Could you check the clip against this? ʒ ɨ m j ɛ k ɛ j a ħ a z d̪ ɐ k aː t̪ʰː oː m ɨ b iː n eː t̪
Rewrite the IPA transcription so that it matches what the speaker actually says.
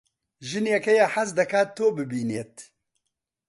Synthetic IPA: ʒ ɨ n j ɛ k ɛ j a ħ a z d̪ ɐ k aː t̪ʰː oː b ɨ b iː n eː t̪